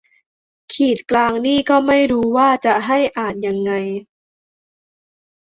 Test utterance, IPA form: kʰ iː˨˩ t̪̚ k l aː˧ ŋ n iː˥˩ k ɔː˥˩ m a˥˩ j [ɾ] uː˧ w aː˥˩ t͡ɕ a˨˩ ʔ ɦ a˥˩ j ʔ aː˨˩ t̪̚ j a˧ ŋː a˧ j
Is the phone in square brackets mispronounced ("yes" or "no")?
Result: no